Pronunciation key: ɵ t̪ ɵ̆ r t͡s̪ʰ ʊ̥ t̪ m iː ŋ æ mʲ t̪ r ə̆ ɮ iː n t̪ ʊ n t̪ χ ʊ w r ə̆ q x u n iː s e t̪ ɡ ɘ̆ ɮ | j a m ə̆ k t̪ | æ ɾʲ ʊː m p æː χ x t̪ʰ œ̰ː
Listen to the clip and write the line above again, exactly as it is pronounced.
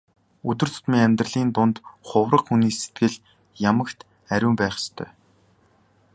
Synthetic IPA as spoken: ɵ t̪ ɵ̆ r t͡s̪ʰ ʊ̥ t̪ m iː ŋ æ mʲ t̪ r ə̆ ɮ iː n t̪ ʊ n t̪ χ ʊ w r ə̆ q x u n iː s e t̪ ɡ ɘ̆ ɮ | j a m ə̆ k t̪ | æ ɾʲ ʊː m p æː χ s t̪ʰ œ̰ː